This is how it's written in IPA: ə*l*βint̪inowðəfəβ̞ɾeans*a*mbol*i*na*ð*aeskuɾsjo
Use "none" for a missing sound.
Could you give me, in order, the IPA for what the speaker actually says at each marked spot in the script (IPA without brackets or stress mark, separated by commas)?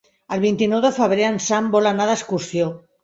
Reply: l, a, a, ð